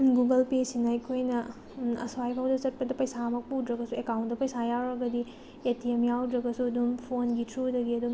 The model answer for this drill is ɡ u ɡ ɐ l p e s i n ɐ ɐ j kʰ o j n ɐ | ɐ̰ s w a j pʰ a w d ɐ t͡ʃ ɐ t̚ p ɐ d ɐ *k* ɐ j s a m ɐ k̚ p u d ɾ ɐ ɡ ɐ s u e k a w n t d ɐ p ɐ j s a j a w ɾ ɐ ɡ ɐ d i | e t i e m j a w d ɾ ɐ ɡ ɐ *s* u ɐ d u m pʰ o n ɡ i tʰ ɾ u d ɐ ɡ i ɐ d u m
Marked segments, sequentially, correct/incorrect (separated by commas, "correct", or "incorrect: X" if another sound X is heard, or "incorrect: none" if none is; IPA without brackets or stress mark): incorrect: p, correct